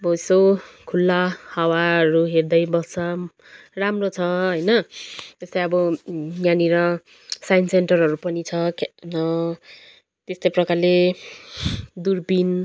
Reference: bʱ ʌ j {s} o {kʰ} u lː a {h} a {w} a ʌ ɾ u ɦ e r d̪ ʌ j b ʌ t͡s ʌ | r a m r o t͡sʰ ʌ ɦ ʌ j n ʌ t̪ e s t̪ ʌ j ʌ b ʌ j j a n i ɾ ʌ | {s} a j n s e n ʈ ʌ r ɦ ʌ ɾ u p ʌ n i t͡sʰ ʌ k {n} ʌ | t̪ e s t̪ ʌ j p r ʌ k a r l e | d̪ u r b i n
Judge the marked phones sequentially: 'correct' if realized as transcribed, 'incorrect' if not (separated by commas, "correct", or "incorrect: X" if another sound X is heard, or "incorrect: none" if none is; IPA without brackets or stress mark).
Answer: correct, correct, correct, correct, correct, correct